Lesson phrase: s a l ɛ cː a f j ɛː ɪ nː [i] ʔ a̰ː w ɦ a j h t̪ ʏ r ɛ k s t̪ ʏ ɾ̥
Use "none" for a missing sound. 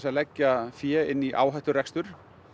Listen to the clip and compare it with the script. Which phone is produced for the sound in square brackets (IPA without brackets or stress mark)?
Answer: i